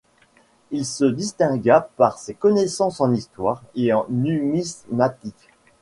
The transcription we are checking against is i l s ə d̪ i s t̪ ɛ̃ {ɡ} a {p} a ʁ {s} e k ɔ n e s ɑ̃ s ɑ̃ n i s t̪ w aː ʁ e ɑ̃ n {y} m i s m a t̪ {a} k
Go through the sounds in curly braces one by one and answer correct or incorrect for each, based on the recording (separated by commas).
correct, correct, correct, correct, incorrect